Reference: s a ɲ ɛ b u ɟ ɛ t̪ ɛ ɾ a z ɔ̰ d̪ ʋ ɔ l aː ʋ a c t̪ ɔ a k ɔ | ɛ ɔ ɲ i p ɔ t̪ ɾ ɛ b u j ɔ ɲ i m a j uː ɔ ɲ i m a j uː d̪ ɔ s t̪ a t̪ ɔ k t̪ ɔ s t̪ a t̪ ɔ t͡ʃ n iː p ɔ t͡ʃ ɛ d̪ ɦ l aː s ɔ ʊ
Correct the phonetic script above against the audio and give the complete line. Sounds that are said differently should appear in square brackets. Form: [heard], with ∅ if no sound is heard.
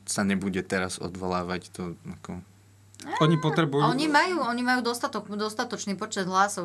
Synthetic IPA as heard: s a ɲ ɛ b u ɟ ɛ t̪ ɛ ɾ a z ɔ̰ d̪ ʋ ɔ l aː ʋ a c t̪ ɔ a k ɔ | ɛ ɔ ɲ i p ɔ t̪ ɾ ɛ b u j ɔ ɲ i m a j uː ɔ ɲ i m a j uː d̪ ɔ s t̪ a t̪ ɔ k [d̪] ɔ s t̪ a t̪ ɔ t͡ʃ n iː p ɔ t͡ʃ ɛ d̪ ɦ l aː s ɔ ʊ